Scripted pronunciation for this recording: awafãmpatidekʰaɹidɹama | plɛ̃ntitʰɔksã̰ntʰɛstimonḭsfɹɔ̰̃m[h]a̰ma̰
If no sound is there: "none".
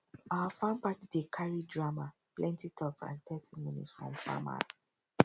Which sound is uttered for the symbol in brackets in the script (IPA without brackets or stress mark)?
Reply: f